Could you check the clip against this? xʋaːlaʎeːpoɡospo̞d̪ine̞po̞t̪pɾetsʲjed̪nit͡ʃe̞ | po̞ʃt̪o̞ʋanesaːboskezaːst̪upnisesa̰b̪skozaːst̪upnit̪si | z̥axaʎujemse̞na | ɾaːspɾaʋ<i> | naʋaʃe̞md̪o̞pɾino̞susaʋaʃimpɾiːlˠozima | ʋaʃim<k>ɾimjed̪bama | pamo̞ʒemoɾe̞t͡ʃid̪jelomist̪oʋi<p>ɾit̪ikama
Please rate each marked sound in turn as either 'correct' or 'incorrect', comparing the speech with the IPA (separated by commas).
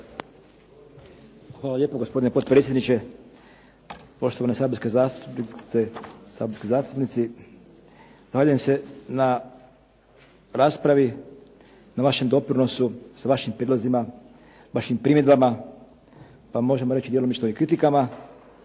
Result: correct, incorrect, incorrect